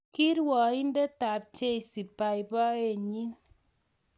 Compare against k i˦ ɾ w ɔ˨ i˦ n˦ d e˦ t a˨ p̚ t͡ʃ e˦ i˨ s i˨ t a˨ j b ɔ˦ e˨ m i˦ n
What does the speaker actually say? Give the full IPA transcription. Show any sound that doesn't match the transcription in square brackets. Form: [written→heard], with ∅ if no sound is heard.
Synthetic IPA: k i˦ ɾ w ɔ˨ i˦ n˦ d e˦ t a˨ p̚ t͡ʃ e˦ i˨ s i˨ [t→p] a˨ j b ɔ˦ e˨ [m→ɲ] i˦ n